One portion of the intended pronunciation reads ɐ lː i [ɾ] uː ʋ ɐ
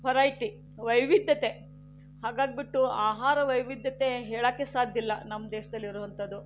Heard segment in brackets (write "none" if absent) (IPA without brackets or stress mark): ɾ